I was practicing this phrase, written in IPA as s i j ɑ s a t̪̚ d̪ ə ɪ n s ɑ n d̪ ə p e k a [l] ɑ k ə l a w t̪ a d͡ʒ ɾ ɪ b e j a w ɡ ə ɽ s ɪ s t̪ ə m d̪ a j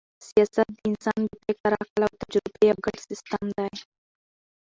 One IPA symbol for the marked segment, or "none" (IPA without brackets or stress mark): ɾ